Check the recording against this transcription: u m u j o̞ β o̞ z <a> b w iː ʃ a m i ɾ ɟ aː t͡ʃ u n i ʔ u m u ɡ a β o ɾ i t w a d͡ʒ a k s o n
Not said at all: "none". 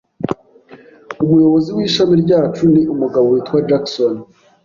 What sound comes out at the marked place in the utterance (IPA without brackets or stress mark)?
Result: i